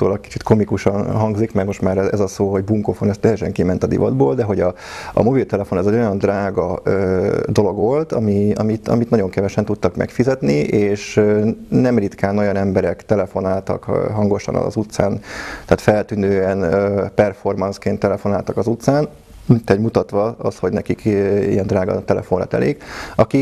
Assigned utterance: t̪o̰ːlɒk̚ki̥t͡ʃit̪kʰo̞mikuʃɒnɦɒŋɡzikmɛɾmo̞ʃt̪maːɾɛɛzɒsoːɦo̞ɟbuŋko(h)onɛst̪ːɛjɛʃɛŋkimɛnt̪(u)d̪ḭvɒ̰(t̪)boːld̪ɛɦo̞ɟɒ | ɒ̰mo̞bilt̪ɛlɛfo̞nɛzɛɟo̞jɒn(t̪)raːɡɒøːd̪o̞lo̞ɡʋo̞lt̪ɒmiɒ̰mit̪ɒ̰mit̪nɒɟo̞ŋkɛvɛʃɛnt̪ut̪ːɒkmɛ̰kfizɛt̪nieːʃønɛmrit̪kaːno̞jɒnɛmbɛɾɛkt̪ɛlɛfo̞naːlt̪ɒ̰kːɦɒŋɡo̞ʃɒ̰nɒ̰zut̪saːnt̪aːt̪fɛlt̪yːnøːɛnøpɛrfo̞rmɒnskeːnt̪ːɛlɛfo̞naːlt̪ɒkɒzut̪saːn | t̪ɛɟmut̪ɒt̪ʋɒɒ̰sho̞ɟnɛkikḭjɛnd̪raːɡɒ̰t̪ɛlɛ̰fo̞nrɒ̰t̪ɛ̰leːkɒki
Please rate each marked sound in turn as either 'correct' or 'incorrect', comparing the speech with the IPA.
incorrect: f, incorrect: ɒ, incorrect: d̪, incorrect: d̪

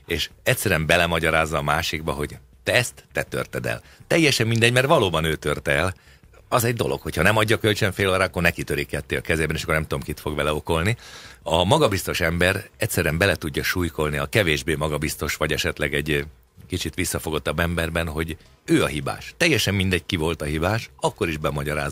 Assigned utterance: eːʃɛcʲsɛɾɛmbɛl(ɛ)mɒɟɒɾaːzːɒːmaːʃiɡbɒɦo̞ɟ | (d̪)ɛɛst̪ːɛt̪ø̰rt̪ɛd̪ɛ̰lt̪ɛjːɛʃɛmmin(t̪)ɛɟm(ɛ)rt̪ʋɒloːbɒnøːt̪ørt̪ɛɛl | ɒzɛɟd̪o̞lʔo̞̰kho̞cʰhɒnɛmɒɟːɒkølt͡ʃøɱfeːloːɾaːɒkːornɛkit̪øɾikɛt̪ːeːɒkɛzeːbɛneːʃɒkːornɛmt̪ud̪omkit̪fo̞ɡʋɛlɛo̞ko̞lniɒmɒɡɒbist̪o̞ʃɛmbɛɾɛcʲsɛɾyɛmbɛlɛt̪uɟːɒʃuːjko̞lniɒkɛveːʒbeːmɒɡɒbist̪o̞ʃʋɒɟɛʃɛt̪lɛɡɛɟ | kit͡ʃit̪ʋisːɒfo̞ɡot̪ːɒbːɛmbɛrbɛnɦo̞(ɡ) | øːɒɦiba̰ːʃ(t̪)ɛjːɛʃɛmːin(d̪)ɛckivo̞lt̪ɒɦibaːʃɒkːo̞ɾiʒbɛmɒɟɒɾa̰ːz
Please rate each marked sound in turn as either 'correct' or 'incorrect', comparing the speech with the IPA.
correct, incorrect: t̪, incorrect: d̪, correct, incorrect: ɟ, correct, correct

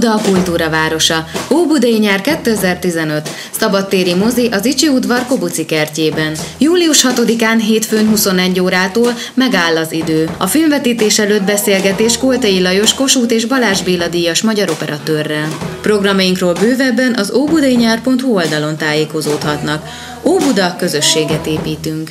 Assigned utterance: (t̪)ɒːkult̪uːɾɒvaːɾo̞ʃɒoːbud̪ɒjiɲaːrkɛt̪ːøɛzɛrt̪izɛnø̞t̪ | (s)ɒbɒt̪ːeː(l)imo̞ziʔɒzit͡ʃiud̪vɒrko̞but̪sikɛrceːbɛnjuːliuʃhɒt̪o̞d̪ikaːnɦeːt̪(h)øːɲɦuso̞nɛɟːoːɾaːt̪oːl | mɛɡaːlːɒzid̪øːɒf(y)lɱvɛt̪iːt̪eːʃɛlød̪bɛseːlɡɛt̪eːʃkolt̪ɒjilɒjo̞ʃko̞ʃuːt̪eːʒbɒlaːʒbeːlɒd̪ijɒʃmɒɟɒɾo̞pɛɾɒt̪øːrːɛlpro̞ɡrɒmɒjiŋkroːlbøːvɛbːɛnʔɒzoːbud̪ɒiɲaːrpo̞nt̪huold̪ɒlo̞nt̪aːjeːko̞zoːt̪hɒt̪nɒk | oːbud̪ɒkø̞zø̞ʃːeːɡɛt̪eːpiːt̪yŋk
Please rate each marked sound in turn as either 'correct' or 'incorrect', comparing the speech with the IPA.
incorrect: d̪, correct, incorrect: ɾ, incorrect: f, incorrect: i

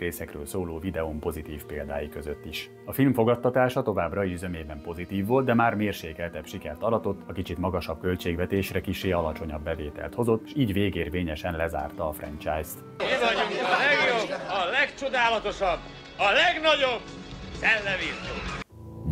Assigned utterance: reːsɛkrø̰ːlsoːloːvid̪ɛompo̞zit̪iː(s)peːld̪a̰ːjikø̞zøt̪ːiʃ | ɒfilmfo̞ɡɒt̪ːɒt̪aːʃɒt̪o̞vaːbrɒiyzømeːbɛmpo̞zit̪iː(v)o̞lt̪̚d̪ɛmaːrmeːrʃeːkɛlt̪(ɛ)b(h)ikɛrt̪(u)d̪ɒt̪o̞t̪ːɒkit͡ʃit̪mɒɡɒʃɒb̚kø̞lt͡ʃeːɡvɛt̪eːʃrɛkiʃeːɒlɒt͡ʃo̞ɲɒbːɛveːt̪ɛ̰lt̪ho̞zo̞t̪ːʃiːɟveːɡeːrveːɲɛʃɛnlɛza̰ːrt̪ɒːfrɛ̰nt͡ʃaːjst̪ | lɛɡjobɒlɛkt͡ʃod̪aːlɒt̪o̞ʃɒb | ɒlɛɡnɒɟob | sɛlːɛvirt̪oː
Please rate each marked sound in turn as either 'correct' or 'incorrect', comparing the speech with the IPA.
incorrect: f, incorrect: vː, correct, incorrect: ʃ, incorrect: ɒ

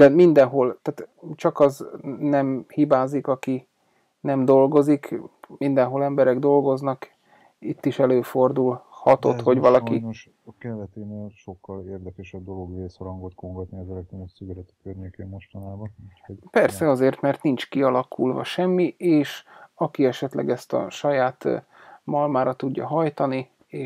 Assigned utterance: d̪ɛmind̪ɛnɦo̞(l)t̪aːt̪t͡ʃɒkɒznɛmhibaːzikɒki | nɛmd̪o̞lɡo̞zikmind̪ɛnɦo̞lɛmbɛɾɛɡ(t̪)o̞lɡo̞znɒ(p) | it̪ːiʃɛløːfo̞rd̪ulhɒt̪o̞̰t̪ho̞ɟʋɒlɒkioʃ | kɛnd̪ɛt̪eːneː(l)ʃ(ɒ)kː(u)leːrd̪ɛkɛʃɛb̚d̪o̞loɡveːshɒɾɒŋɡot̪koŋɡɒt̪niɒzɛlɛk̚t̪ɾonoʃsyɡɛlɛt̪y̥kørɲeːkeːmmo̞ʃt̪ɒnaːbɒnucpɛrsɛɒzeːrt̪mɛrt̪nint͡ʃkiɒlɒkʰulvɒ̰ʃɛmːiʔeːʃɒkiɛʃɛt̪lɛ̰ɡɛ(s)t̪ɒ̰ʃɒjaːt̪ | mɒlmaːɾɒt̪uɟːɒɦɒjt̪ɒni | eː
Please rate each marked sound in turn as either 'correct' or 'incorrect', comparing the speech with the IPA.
correct, incorrect: d̪, incorrect: k, correct, incorrect: o, incorrect: ɒ, correct

